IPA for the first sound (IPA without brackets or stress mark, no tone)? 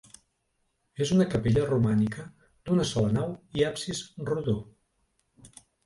e